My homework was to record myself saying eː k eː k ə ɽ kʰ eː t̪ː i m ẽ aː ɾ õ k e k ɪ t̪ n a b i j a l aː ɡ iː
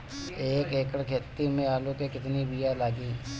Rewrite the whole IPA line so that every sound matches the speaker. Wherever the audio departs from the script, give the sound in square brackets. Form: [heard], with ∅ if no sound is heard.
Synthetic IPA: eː k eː k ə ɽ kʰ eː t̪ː i m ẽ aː [l] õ k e k ɪ t̪ n [i] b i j a l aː ɡ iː